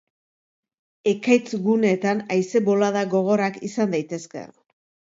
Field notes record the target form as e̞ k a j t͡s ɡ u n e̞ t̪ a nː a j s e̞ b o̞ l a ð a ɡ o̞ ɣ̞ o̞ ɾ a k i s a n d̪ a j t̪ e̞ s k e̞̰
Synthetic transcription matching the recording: e̞ k a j t͡s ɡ u n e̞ t̪ a n a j s e̞ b o̞ l a ð a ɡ o̞ ɣ̞ o̞ ɾ a k i s a n d̪ a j t̪ e̞ s k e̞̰

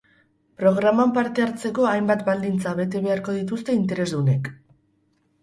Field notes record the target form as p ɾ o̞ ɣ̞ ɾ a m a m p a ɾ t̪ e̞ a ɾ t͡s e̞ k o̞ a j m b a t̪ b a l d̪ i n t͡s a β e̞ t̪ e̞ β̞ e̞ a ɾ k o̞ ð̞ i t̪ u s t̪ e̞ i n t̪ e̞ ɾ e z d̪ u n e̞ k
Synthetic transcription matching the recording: p ɾ o̞ ɣ̞ ɾ a m a m p a ɾ t̪ e̞ a ɾ t͡s e̞ k o̞ a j m b a t̪ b a l d̪ i n t͡s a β e̞ t̪ e̞ β̞ e̞ a ɾ k o̞ ð̞ i t̪ u s t̪ e̞ i n t̪ e̞ ɾ e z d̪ u n e̞ k

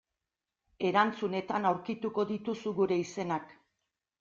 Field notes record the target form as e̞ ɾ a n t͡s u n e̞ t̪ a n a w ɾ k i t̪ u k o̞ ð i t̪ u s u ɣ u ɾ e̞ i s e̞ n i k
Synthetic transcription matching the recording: e̞ ɾ a n t͡s u n e̞ t̪ a n a w ɾ k i t̪ u k o̞ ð i t̪ u s u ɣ u ɾ e̞ i s e̞ n a k

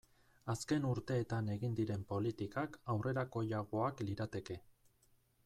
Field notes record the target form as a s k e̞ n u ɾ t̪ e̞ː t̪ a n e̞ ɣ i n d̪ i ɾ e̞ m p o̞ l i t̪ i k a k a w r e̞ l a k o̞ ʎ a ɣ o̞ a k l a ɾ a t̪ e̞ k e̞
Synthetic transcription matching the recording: a s k e̞ n u ɾ t̪ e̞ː t̪ a n e̞ ɣ i n d̪ i ɾ e̞ m p o̞ l i t̪ i k a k a w r e̞ ɾ a k o̞ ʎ a ɣ o̞ a k l i ɾ a t̪ e̞ k e̞

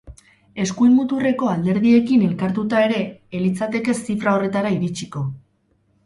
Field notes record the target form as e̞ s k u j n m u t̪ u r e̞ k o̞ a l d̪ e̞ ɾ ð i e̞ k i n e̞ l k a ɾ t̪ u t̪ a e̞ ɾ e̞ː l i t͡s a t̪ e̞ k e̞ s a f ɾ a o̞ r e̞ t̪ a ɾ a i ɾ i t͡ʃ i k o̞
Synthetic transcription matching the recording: e̞ s k u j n m u t̪ u r e̞ k o̞ a l d̪ e̞ ɾ ð i e̞ k i n e̞ l k a ɾ t̪ u t̪ a e̞ ɾ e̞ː l i t͡s a t̪ e̞ k e̞ s i f ɾ a o̞ r e̞ t̪ a ɾ a i ɾ i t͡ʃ i k o̞

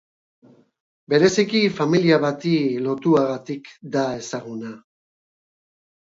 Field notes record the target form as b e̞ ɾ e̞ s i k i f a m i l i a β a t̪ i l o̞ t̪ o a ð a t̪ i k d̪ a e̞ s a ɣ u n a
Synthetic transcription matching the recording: b e̞ ɾ e̞ s i k i f a m i l i a β a t̪ i l o̞ t̪ u a ɣ a t̪ i k d̪ a e̞ s a ɣ u n a

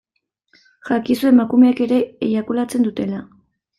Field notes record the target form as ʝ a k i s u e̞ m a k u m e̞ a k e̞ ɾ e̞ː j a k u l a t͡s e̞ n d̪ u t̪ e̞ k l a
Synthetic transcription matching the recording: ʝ a k i s u e̞ m a k u m e̞ a k e̞ ɾ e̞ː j a k u l a t͡s e̞ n d̪ u t̪ e̞ l a

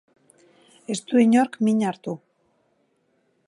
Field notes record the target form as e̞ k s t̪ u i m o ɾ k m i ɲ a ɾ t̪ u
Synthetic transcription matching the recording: e̞ s t̪ u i ɲ o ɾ k m i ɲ a ɾ t̪ u

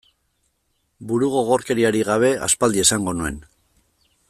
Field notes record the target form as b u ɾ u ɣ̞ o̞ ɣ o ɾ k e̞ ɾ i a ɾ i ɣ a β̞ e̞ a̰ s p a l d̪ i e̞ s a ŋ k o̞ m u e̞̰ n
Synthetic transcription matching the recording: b u ɾ u ɣ̞ o̞ ɣ o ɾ k e̞ ɾ i a ɾ i ɣ a β̞ e̞ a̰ s p a l d̪ i e̞ s a ŋ ɡ o̞ n u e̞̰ n

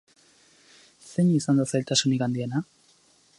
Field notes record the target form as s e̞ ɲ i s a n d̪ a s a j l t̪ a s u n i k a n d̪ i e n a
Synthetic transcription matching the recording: s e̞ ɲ i s a n d̪ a s a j l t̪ a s u n i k a n d̪ i e n a

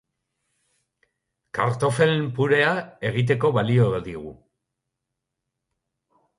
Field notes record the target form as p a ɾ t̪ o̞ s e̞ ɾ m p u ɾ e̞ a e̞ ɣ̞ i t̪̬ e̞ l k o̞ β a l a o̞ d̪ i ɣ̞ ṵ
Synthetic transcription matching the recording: k a ɾ t̪ o̞ f e̞ l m p u ɾ e̞ a e̞ ɣ̞ i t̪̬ e̞ k o̞ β a l i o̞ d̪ i ɣ̞ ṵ

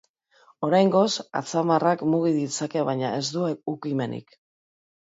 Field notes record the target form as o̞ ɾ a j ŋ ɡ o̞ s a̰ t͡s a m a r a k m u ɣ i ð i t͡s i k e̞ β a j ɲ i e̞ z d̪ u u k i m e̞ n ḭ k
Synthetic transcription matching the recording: o̞ ɾ a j ŋ ɡ o̞ s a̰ t͡s a m a r a k m u ɣ i ð i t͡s a k e̞ β a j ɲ a e̞ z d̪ u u k i m e̞ n ḭ k

